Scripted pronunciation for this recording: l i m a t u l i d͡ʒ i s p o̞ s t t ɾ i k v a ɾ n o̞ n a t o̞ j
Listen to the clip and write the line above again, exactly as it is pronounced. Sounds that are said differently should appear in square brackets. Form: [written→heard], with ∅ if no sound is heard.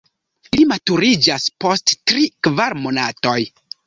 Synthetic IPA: l i m a t u [l→ɾ] i d͡ʒ [i→a] s p o̞ s t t ɾ i k v a ɾ [n→m] o̞ n a t o̞ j

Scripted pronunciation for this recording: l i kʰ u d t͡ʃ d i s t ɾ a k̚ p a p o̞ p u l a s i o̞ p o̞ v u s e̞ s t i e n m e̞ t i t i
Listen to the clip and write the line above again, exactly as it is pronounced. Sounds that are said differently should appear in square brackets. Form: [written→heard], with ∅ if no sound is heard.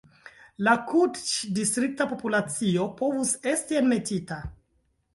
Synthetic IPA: l [i→a] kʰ u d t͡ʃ d i s t ɾ [a→i] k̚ [p→t] a p o̞ p u l a [s→t͡s] i o̞ p o̞ v u s e̞ s t i e n m e̞ t i t [i→a]

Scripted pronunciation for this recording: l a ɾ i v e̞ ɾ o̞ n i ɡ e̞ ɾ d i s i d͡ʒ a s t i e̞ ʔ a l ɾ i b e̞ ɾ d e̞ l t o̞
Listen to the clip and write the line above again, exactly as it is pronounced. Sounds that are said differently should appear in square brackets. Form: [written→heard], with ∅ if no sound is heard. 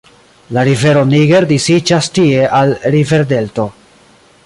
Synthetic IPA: l a ɾ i v e̞ ɾ o̞ n i ɡ e̞ ɾ d i s i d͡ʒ a s t i e̞ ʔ a l ɾ i [b→v] e̞ ɾ d e̞ l t o̞

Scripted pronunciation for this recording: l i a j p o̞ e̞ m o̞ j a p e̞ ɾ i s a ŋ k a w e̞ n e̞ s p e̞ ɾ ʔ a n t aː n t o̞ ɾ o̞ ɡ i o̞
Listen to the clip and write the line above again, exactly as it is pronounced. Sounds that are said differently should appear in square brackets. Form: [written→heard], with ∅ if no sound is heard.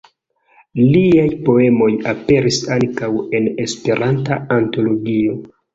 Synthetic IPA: l i a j p o̞ e̞ m o̞ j a p e̞ ɾ i s a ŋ k a w e̞ n e̞ s p e̞ ɾ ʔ a n t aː n t o̞ [ɾ→l] o̞ ɡ i o̞

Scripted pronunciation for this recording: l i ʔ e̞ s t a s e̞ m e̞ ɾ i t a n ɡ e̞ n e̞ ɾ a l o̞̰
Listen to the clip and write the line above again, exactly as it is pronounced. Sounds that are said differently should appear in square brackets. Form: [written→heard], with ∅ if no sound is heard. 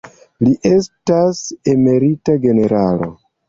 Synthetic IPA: l i ʔ e̞ s t a s e̞ m e̞ ɾ i t a [n→∅] ɡ e̞ n e̞ ɾ a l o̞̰

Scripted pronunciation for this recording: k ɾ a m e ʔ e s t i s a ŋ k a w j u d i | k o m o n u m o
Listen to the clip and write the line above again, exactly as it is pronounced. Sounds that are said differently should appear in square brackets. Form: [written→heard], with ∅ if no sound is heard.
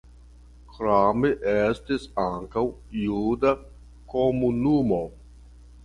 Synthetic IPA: k ɾ a m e ʔ e s t i s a ŋ k a w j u d [i→a] | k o m [o→u] n u m o

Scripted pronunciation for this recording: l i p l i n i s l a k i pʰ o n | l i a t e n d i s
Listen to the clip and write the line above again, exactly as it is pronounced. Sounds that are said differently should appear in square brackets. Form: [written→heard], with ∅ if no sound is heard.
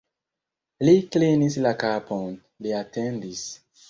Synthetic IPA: l i [p→k] l i n i s l a k [i→a] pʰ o n | l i a t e n d i s

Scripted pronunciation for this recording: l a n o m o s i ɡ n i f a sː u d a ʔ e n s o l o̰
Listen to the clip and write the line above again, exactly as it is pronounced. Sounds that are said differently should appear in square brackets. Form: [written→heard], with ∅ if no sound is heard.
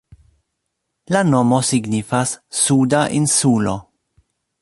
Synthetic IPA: l a n o m o s i ɡ n i f a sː u d a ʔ [e→i] n s [o→u] l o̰

